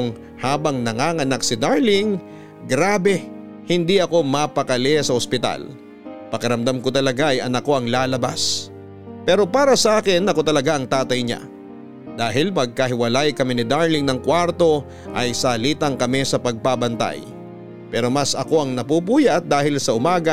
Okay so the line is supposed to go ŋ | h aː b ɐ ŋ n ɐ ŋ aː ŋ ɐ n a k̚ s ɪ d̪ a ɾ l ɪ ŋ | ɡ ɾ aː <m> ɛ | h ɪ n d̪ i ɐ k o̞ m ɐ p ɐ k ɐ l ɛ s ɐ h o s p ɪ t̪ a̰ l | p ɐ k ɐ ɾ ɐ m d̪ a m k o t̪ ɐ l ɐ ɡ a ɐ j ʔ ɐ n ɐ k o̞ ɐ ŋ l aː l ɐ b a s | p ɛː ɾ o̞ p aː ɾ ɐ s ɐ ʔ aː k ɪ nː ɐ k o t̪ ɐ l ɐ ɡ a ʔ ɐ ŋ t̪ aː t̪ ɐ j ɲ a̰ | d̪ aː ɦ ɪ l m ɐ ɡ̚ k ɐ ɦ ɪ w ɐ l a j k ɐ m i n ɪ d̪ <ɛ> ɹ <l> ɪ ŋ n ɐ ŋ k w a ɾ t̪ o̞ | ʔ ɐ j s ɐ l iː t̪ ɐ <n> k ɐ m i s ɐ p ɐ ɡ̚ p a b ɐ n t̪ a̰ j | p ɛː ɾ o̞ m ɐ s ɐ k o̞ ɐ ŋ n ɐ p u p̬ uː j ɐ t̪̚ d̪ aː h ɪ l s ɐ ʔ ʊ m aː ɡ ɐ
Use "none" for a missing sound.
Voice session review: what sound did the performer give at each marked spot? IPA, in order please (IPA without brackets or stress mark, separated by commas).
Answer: b, a, l, ŋ